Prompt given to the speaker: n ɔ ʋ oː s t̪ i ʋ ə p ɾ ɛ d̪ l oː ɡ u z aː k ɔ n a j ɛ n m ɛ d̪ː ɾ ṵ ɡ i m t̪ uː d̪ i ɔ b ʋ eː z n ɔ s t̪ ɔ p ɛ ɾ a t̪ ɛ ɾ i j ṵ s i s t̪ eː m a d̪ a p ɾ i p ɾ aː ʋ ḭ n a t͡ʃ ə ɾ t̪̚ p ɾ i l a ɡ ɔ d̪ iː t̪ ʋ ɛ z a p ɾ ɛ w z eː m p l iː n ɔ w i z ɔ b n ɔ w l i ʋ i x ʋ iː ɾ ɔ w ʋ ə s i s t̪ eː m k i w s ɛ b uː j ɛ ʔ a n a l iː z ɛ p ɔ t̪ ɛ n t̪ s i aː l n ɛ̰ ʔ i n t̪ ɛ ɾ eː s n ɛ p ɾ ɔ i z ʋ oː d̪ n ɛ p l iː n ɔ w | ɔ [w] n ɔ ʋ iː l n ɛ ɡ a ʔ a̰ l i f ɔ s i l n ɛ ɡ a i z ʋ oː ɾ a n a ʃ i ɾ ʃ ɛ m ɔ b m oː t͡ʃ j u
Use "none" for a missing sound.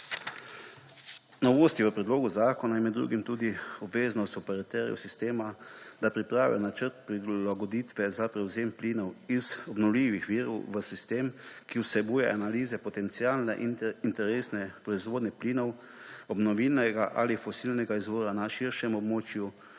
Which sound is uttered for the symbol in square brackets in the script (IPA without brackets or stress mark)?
b